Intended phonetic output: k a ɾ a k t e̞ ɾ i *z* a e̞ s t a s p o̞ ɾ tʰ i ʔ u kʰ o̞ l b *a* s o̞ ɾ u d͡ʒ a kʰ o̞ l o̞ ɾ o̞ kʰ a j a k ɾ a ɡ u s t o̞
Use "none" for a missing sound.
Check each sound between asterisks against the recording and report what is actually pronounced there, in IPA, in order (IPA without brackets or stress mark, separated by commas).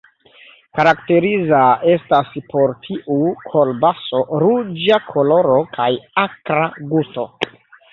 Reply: z, a